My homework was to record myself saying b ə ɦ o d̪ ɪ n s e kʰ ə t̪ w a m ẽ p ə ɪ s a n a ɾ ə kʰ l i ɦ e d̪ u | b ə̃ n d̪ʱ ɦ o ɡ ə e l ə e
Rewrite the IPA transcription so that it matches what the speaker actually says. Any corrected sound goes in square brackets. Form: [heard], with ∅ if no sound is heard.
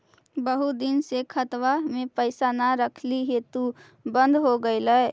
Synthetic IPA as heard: b ə ɦ [u] d̪ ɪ n s e kʰ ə t̪ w a m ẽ p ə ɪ s a n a ɾ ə kʰ l i ɦ e [t̪] u | b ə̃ n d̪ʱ ɦ o ɡ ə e l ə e